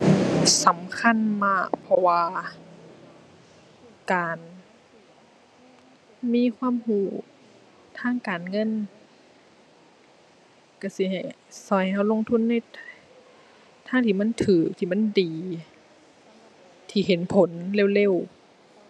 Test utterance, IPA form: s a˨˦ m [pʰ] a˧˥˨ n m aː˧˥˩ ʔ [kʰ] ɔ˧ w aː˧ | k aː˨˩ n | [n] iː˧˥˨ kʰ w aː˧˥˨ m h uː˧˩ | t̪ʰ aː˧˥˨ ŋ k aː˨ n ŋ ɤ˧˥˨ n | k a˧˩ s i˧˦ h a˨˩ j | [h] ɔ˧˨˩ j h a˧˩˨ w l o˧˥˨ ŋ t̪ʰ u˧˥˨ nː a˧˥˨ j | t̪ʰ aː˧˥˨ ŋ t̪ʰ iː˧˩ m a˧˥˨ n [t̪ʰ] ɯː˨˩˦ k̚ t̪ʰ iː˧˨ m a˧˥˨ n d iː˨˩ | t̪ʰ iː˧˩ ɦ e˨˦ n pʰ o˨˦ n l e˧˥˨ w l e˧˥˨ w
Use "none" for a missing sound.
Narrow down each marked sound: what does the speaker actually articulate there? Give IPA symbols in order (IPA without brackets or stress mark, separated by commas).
kʰ, pʰ, m, s, t̪ʰ